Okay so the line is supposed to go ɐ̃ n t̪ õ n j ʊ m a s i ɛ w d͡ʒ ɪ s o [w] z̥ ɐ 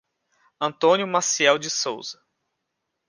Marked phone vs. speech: correct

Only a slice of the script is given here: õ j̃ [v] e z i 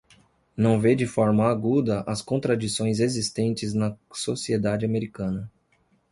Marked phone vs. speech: incorrect: z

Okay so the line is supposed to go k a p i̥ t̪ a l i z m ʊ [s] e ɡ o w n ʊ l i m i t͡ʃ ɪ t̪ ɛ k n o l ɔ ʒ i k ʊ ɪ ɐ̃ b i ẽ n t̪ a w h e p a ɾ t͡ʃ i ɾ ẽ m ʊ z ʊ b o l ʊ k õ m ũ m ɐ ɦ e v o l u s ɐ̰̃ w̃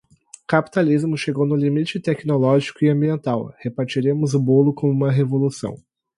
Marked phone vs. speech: incorrect: ʃ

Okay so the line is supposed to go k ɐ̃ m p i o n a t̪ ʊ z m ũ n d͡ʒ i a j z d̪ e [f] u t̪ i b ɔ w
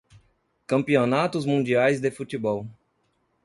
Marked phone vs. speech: correct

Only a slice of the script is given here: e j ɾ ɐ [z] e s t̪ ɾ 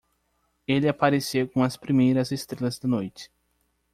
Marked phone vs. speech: correct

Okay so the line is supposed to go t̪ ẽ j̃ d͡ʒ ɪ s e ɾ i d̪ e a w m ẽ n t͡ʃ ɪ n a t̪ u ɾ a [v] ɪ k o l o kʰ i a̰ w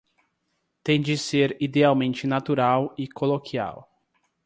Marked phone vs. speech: incorrect: w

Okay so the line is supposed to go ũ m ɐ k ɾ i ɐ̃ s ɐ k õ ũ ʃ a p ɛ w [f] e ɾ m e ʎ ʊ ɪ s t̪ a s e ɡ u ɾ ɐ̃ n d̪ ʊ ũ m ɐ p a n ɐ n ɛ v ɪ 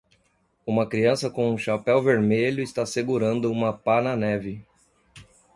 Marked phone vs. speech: incorrect: v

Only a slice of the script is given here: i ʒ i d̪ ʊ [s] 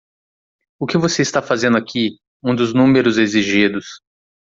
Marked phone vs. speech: correct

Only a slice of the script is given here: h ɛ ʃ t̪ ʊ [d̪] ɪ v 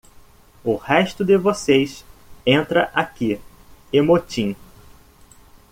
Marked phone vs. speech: correct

